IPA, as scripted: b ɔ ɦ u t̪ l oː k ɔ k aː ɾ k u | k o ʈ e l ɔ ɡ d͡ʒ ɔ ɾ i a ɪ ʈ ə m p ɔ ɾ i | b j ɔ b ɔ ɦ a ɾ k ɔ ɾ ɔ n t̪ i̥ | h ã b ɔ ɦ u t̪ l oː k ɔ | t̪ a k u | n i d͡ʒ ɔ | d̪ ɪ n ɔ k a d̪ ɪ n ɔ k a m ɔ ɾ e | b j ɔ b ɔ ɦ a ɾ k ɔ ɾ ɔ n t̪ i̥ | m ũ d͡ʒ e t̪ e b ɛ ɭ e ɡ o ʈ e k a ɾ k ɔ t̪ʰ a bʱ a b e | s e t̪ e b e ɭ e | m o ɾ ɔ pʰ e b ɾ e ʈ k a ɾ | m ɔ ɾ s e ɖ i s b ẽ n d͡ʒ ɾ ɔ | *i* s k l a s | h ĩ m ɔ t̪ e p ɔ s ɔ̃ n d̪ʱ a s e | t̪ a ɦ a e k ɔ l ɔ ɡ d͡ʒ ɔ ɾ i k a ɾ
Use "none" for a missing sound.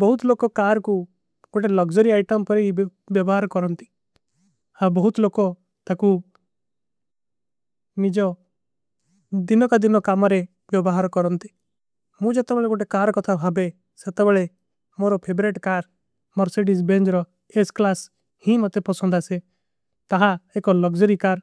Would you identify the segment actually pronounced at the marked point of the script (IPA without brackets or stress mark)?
e